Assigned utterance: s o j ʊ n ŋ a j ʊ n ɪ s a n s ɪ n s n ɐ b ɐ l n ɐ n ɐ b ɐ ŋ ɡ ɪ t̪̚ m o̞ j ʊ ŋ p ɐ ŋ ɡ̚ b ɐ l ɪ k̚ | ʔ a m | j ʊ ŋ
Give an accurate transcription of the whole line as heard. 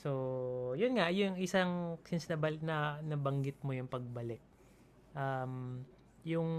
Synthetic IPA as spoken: s o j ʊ n ŋ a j ʊ ŋ ɪ s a ŋ s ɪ n s n ɐ b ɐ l n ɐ n ɐ b ɐ ŋ ɡ ɪ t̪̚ m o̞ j ʊ ŋ p ɐ ɡ̚ b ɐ l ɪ k̚ | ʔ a m | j ʊ ŋ